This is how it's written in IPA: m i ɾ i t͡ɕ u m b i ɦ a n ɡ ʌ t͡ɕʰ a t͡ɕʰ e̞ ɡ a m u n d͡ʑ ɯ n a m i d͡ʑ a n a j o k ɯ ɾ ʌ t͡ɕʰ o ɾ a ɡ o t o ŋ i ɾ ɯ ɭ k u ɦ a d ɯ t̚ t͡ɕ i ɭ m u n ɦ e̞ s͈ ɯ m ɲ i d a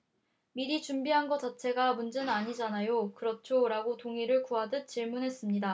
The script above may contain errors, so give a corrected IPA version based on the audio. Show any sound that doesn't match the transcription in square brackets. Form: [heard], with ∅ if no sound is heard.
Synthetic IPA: m i ɾ i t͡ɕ u m b i ɦ a n ɡ ʌ [t͡ɕ] a t͡ɕʰ e̞ ɡ a m u n d͡ʑ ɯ n a [ɲ] i d͡ʑ a n a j o k ɯ ɾ ʌ t͡ɕʰ o ɾ a ɡ o t o ŋ i ɾ ɯ ɭ k u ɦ a d ɯ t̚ t͡ɕ i ɭ m u n ɦ e̞ s͈ ɯ m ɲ i d a